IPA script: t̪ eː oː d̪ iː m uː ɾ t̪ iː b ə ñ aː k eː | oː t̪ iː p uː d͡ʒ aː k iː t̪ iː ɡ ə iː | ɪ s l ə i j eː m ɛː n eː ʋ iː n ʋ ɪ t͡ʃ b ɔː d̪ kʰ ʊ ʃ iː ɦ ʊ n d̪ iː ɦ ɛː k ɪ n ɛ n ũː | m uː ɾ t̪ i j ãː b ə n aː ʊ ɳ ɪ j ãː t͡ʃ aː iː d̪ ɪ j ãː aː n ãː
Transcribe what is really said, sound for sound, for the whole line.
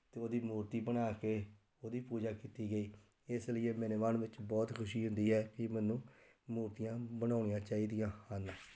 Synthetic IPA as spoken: t̪ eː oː d̪ iː m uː ɾ t̪ iː b ə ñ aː k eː | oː d̪ iː p uː d͡ʒ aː k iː t̪ iː ɡ ə iː | ɪ s l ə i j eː m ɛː n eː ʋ aː n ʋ ɪ t͡ʃ b ɔː t̪ kʰ ʊ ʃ iː ɦ ʊ n d̪ iː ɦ ɛː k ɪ m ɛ n ũː | m uː ɾ t̪ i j ãː b ə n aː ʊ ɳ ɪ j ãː t͡ʃ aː iː d̪ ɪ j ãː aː n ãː

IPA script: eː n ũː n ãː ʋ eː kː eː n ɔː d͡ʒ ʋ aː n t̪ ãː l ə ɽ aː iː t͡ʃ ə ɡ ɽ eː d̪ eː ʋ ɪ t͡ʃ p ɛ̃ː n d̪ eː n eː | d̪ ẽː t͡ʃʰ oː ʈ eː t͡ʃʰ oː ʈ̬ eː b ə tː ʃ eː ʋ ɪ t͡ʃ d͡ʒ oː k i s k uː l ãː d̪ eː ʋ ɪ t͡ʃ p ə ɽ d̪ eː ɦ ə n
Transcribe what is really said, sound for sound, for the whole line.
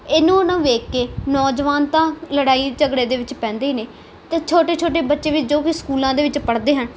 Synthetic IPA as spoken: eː n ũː n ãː ʋ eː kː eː n ɔː d͡ʒ ʋ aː n t̪ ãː l ə ɽ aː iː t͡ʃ ə ɡ ɽ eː d̪ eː ʋ ɪ t͡ʃ p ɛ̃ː n d̪ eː n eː | t̪ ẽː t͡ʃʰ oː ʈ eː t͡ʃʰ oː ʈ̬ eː b ə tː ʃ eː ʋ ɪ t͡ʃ d͡ʒ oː k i s k uː l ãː d̪ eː ʋ ɪ t͡ʃ p ə ɽ d̪ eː ɦ ə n

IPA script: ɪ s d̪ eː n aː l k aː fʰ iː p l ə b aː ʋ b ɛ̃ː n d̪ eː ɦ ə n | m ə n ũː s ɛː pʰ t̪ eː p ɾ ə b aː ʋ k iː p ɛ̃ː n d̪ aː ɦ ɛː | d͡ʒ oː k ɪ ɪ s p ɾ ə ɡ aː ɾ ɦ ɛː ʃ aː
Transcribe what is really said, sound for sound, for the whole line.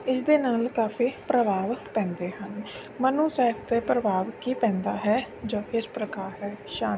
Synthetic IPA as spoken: ɪ s d̪ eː n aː l k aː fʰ iː p ɾ ə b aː ʋ p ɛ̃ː n d̪ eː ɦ ə n | m ə n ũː s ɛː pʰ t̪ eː p ɾ ə b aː ʋ k iː p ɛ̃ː n d̪ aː ɦ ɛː | d͡ʒ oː k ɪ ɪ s p ɾ ə k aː ɾ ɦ ɛː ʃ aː

